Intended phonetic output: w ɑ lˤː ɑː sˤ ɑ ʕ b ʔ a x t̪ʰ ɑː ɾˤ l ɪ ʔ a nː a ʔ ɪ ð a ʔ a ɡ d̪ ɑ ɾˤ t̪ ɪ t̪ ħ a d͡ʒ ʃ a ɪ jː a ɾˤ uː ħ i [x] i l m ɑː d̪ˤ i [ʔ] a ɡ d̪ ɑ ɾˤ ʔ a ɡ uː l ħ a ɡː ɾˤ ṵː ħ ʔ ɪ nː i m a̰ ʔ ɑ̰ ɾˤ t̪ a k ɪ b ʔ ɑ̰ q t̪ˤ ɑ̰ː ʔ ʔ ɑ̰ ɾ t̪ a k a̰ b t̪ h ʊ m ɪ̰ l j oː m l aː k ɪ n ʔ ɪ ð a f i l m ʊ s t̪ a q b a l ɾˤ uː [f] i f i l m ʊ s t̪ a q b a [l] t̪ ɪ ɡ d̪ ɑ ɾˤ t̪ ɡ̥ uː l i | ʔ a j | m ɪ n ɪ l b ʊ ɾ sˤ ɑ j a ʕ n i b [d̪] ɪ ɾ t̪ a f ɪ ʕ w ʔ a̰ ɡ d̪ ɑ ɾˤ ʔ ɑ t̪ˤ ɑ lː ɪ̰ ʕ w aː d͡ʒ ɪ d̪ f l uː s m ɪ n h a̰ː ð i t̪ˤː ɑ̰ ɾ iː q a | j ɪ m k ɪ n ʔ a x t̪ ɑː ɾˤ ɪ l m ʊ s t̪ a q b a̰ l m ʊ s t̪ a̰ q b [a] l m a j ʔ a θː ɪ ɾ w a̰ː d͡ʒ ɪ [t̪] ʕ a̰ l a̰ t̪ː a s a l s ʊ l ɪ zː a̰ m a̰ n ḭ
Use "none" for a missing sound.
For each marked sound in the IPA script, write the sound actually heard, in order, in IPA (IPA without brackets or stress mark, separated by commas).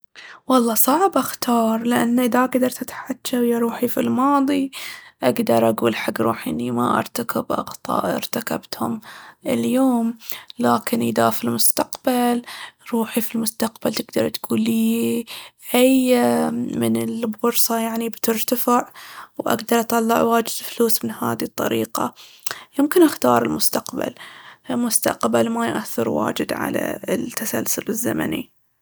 f, ʔ, ħ, l, t̪, a, d̪